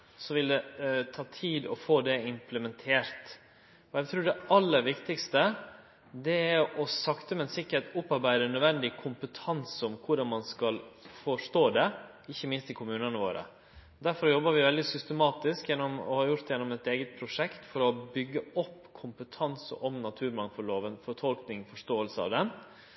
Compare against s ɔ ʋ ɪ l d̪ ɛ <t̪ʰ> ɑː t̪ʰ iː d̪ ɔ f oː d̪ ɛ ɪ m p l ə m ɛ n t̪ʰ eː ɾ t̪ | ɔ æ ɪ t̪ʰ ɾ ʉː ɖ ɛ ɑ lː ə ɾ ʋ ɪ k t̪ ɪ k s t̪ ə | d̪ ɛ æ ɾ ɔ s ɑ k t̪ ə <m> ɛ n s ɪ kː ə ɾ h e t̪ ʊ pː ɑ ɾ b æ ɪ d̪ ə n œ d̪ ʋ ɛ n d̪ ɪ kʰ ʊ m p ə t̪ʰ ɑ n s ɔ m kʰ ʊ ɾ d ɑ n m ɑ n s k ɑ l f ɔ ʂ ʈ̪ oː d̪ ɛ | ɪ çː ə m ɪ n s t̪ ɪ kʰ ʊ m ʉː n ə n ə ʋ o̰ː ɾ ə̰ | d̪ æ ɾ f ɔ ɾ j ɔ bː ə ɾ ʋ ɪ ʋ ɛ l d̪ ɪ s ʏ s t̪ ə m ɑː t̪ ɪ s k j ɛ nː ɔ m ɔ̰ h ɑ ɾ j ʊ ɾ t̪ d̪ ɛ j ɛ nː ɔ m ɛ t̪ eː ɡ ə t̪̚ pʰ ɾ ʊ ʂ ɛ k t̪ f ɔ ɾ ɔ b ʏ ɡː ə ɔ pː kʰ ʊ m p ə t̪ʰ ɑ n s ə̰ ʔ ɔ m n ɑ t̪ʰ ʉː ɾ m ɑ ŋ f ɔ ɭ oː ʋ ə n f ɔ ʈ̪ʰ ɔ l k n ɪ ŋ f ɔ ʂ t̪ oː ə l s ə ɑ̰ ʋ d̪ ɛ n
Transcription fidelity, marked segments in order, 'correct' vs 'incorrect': correct, correct

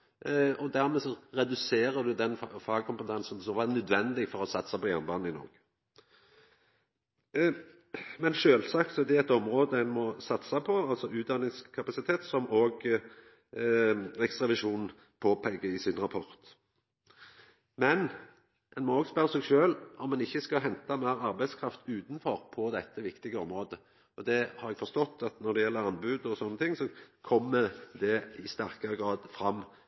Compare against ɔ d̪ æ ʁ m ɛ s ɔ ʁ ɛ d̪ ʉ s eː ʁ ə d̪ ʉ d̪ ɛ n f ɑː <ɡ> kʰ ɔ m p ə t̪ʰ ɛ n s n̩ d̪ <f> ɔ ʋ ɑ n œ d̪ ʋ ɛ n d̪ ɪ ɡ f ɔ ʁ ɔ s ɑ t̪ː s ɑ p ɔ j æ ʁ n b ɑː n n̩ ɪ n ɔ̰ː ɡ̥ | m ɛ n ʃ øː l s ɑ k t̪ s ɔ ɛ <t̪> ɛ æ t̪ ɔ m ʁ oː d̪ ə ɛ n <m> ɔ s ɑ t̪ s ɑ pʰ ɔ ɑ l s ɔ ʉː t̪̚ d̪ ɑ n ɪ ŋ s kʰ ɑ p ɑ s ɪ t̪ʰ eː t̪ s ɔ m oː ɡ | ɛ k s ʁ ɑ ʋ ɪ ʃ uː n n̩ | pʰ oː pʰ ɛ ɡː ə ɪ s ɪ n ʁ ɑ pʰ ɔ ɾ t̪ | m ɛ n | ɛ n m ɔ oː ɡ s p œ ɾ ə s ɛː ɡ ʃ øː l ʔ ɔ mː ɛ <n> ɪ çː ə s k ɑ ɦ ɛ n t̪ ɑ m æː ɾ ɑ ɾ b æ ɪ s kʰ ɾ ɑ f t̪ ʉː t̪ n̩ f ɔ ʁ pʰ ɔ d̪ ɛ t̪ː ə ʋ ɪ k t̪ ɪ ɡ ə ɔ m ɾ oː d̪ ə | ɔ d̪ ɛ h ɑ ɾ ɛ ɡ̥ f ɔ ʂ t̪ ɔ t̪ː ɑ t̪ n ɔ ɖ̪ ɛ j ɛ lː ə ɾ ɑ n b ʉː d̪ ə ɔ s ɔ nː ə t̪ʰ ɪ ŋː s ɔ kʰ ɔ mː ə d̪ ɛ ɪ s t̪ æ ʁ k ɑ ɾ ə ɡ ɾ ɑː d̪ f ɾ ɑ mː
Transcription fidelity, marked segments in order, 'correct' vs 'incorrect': correct, incorrect: s, incorrect: d̪, correct, correct

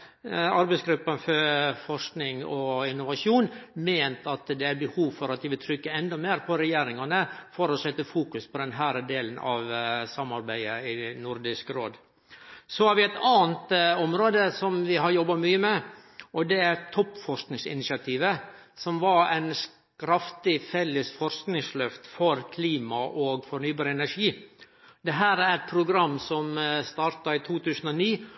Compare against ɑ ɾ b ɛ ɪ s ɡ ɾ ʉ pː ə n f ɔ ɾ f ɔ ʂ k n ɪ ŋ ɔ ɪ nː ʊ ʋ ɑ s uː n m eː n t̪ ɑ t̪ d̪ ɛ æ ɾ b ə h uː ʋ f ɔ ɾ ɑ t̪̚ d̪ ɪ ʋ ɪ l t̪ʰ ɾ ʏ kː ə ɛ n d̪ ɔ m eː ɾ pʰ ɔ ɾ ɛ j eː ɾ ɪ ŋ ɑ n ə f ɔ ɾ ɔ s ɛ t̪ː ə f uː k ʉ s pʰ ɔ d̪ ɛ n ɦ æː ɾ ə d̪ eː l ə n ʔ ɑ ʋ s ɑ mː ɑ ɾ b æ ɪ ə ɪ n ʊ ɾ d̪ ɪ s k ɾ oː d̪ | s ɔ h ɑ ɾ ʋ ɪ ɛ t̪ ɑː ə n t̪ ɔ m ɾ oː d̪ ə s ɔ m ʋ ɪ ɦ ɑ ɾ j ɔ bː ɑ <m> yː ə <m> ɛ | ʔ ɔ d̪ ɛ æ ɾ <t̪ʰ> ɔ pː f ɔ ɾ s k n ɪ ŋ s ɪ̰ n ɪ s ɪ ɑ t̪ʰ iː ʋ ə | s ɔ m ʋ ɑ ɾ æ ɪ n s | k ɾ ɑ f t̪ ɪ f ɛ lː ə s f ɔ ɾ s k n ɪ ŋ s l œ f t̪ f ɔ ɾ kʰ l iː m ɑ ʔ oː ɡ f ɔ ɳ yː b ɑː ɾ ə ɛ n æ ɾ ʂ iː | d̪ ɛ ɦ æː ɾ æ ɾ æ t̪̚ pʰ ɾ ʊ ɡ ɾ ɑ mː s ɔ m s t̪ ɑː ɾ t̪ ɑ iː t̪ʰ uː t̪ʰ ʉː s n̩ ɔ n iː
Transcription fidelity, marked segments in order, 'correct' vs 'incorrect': correct, correct, correct

